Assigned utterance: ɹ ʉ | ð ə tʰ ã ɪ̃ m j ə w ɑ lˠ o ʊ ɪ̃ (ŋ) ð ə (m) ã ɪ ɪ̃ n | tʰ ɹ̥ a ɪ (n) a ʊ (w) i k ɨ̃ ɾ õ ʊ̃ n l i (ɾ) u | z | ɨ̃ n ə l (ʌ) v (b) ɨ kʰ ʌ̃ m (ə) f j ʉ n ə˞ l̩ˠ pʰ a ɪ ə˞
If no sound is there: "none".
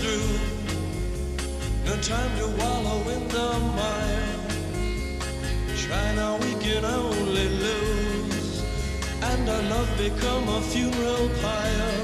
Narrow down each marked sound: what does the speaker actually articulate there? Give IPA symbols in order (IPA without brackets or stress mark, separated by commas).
n, m, n, w, l, ʌ, b, ə